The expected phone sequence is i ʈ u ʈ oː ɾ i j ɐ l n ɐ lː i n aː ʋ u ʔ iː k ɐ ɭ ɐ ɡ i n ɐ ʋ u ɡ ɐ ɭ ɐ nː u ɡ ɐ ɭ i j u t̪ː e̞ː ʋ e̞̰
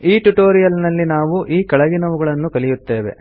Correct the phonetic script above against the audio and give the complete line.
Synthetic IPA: iː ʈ u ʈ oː ɾ i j ɐ l n ɐ lː i n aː ʋ u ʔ iː k ɐ ɭ ɐ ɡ i n ɐ ʋ u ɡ ɐ ɭ ɐ nː u k ɐ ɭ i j u t̪ː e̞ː ʋ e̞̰